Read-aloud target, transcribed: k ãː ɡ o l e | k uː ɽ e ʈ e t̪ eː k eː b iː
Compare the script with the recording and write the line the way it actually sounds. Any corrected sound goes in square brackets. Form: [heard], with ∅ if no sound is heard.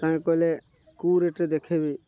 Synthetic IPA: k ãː [k] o l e | k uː [ɾ] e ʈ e [d̪] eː [kʰ] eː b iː

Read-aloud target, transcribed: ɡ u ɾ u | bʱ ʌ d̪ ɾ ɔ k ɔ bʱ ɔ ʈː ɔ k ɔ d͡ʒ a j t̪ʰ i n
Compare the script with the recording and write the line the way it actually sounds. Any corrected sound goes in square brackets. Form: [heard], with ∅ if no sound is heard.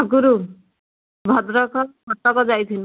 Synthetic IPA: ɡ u ɾ u | bʱ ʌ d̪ ɾ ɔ k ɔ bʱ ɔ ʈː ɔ k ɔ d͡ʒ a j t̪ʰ i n

